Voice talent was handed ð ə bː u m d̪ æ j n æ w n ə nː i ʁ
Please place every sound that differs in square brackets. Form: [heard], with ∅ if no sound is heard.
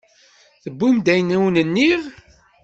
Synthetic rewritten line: [θ] ə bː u m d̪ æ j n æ w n ə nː i ʁ